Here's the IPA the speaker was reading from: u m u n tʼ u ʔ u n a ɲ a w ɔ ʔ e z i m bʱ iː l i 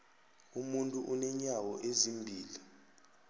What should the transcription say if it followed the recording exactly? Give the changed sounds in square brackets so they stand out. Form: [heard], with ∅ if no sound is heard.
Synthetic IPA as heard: u m u n tʼ u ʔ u n [ɛ] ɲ a w ɔ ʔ e z i m bʱ iː l i